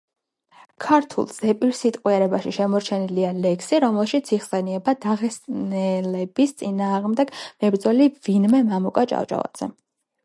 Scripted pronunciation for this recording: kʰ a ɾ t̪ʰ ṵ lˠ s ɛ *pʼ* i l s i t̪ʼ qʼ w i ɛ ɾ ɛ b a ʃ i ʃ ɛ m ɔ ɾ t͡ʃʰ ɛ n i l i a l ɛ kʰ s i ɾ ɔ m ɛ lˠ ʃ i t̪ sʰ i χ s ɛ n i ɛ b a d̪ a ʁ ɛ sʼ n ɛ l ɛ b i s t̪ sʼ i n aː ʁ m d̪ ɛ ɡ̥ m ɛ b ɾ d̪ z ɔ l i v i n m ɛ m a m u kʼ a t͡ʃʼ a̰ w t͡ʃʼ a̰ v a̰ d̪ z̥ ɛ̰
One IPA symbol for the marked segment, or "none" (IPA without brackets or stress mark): pʼ